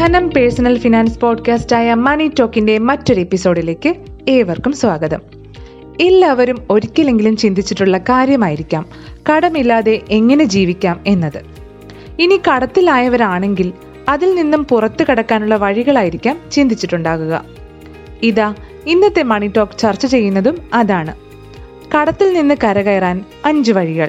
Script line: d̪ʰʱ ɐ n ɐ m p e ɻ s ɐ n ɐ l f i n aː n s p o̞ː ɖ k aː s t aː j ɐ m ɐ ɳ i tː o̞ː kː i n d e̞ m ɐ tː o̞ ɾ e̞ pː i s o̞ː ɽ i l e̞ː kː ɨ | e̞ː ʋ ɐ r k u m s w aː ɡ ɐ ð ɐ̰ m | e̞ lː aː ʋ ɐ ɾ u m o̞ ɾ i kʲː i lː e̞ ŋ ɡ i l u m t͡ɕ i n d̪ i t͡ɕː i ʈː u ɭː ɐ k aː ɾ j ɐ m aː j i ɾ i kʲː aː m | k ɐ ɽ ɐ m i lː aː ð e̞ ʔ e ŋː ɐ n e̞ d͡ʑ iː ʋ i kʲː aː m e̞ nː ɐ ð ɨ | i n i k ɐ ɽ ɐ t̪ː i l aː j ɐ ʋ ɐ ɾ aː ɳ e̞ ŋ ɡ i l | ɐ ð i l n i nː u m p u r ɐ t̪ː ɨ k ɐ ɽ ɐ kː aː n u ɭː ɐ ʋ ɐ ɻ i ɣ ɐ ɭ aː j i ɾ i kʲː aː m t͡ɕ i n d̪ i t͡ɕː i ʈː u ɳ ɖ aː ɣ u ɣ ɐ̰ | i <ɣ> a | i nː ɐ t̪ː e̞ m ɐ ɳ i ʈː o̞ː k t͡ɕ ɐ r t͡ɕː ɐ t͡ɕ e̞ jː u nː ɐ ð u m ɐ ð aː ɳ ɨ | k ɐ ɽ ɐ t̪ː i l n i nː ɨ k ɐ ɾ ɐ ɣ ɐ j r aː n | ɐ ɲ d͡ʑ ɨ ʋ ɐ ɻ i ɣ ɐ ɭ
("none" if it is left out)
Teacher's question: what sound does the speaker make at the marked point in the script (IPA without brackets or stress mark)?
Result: ð